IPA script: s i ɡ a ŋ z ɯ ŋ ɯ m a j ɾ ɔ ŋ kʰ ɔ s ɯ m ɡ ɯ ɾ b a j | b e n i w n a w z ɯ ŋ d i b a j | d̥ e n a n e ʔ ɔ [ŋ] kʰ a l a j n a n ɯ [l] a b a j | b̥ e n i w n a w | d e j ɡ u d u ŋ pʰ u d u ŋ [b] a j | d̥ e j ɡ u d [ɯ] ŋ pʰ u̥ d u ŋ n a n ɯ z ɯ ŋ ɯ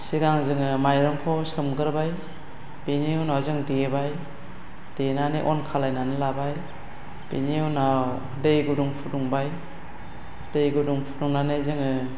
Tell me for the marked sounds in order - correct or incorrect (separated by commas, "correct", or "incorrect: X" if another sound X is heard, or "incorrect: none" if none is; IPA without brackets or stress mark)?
incorrect: n, correct, correct, incorrect: u